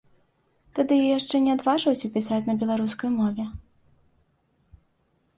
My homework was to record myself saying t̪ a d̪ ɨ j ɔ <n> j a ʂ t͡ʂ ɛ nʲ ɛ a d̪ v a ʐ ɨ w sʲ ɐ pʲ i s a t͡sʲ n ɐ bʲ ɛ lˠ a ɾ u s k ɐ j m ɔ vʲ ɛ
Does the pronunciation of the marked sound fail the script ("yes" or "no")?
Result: yes